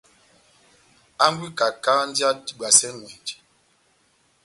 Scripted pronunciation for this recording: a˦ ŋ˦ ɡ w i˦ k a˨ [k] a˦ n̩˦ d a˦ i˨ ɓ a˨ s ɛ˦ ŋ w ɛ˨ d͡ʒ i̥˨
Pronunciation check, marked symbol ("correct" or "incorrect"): correct